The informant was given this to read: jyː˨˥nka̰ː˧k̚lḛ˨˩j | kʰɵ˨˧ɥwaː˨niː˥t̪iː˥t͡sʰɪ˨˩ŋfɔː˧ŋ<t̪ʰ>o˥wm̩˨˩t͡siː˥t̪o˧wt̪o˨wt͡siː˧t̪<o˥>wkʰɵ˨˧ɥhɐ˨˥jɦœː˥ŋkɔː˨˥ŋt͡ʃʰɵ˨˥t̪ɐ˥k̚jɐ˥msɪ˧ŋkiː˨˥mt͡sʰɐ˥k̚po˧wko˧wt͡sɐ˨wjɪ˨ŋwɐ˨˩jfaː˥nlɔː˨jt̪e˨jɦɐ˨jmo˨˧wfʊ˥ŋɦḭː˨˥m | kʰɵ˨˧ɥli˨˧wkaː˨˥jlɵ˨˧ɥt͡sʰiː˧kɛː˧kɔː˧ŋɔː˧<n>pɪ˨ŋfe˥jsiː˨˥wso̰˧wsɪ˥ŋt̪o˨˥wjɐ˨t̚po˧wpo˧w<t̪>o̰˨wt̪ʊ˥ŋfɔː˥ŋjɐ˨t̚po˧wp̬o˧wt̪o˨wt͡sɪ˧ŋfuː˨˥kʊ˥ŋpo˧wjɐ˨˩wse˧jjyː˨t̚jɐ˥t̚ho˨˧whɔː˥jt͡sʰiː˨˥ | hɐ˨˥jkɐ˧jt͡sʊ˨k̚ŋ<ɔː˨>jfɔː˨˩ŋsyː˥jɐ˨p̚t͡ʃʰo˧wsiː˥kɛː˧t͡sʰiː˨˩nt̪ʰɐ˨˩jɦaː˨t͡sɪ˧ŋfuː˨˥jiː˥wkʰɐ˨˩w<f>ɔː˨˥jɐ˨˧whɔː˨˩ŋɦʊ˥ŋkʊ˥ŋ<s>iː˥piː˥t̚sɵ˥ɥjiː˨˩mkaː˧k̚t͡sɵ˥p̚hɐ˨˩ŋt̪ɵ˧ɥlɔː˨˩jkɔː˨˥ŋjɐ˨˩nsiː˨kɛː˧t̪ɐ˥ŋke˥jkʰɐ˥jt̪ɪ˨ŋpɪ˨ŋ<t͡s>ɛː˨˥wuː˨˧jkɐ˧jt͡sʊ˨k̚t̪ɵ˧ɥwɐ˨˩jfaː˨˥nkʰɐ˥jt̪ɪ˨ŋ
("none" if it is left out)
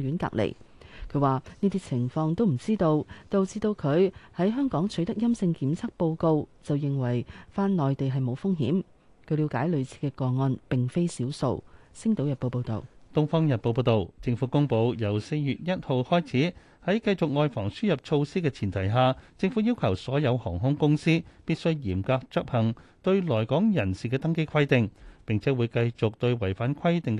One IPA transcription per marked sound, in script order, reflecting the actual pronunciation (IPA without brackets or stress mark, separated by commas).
t̪, o˧, n, t̪, ɔː˨, s, s, t͡sʰ